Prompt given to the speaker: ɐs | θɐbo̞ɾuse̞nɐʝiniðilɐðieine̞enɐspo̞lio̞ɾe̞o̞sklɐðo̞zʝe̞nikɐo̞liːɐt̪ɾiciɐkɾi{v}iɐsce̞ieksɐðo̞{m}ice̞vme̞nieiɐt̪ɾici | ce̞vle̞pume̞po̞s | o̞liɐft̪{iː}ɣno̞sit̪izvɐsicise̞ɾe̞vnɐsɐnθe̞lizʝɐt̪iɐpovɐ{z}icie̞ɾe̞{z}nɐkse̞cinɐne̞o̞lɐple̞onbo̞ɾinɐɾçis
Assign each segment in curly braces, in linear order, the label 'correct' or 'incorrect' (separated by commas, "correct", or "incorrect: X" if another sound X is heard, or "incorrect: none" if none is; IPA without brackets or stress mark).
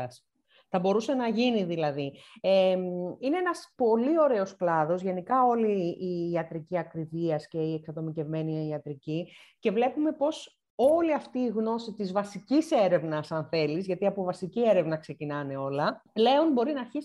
correct, correct, correct, incorrect: s, incorrect: v